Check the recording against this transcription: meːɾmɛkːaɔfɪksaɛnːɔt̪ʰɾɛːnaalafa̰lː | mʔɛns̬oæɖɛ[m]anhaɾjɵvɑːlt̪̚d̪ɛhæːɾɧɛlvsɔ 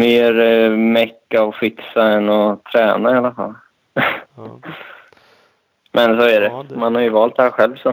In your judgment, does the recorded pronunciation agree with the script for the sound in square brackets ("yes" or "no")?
yes